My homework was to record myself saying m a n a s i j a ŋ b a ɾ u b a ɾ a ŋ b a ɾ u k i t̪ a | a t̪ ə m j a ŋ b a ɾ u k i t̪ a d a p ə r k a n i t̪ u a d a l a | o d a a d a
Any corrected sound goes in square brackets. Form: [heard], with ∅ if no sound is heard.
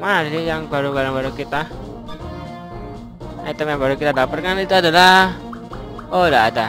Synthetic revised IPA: m a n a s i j a ŋ b a ɾ u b a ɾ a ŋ b a ɾ u k i t̪ a | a t̪ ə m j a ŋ b a ɾ u k i t̪ a d a p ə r k a n i t̪ u a d a l a | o d a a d a